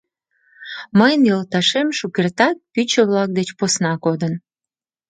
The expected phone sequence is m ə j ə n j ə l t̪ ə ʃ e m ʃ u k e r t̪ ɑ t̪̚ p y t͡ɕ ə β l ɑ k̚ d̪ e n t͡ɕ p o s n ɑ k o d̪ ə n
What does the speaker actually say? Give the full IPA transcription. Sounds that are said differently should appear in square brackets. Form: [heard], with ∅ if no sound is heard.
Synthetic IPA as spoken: m ə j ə n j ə l t̪ [ɑ] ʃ e m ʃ u k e r t̪ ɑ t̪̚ p y t͡ɕ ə β l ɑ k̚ d̪ e [∅] t͡ɕ p o s n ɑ k o d̪ ə n